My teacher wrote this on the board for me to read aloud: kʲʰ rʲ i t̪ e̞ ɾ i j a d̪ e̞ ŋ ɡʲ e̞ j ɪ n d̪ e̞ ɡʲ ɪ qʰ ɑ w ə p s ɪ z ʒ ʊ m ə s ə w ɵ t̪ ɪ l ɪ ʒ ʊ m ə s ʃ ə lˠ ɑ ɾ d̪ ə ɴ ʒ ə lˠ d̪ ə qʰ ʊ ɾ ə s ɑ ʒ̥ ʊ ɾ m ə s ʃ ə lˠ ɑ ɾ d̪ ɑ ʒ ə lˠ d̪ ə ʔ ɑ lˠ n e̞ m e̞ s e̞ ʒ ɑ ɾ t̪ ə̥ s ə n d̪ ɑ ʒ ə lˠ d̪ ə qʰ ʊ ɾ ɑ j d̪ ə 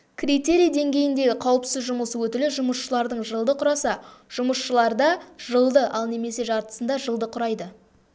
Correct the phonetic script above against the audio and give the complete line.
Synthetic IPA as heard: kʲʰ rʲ i t̪ e̞ ɾ i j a d̪ e̞ ŋ ɡʲ e̞ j ɪ n d̪ e̞ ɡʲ ɪ qʰ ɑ w ə p s ɪ z ʒ ʊ m ə s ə w ɵ t̪ ɪ l ɪ ʒ ʊ m ə s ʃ ə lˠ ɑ ɾ d̪ ə ɴ ʒ ə lˠ d̪ ə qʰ ʊ ɾ ɑ s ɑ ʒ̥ ʊ m ə s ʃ ə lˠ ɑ ɾ d̪ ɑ ʒ ə lˠ d̪ ə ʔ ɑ lˠ n e̞ m e̞ s e̞ ʒ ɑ ɾ t̪ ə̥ s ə n d̪ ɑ ʒ ə lˠ d̪ ə qʰ ʊ ɾ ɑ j d̪ ə